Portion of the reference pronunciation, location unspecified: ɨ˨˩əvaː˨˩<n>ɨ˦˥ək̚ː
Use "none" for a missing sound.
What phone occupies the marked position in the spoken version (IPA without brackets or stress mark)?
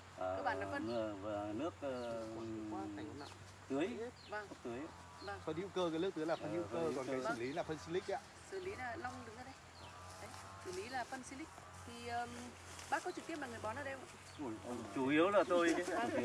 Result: n